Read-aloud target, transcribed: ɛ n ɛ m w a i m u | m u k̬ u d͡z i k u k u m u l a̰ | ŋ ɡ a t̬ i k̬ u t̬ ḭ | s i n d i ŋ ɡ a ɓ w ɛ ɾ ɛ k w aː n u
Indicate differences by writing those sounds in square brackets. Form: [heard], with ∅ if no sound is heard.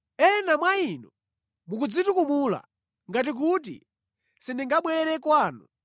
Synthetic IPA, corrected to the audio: ɛ n [a] m w a i [n] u | m u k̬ u d͡z i [t] u k u m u l a̰ | ŋ ɡ a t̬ i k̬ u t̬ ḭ | s i n d i ŋ ɡ a ɓ w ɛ ɾ ɛ k w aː n u